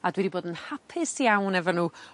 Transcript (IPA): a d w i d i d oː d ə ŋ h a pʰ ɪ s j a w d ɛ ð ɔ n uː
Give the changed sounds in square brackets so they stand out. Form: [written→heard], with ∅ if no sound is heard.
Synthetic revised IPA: a d w [i→ɛ] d i [d→b] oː d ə [ŋ→n] h a pʰ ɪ s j a w [d→n] ɛ [ð→v] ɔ n uː